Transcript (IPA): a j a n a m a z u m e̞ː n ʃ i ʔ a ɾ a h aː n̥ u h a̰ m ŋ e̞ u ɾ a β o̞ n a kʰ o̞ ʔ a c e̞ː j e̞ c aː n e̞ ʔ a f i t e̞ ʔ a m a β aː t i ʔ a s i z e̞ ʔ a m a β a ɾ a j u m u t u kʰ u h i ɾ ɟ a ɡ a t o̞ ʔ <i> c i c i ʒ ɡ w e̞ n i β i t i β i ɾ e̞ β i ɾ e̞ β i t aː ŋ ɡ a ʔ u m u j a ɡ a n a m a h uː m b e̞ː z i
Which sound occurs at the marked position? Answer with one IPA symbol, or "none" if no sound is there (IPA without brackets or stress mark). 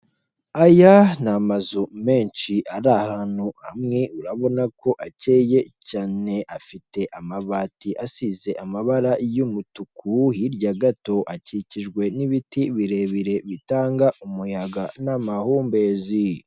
a